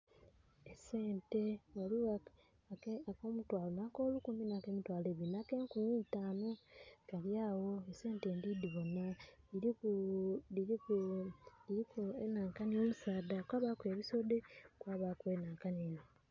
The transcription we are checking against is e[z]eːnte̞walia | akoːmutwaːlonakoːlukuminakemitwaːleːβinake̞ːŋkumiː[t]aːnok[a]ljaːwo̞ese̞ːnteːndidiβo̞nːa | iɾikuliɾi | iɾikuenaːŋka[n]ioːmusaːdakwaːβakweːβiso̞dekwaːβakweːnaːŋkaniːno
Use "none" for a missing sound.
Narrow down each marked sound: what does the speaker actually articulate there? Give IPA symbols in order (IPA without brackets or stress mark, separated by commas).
s, t, a, n